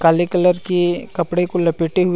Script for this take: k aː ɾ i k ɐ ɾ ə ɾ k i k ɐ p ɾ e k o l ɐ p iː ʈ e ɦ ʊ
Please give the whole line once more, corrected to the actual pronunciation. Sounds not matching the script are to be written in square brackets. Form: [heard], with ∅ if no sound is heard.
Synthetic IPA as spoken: k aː [l] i k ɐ [l] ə ɾ k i k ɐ p [ɽ] e k o l ɐ p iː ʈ e ɦ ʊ